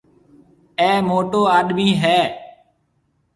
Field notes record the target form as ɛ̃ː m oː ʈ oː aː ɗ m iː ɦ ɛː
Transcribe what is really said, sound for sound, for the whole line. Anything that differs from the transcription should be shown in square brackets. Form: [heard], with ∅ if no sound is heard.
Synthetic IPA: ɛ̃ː m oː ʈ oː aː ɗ m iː ɦ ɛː